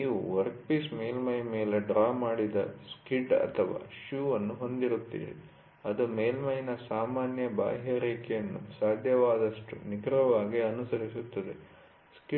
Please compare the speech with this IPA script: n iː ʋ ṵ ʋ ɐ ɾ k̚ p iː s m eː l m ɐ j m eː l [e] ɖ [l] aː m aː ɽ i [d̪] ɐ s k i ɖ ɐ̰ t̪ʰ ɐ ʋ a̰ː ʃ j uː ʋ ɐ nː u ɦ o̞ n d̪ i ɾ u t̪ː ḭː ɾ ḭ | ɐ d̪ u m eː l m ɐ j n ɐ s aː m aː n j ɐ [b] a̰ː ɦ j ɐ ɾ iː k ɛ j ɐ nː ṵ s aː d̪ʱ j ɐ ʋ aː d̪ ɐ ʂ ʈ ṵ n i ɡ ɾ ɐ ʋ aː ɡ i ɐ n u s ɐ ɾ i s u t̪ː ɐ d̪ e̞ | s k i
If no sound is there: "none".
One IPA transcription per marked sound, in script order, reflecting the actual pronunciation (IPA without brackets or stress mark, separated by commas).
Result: e, ɾ, d̪, b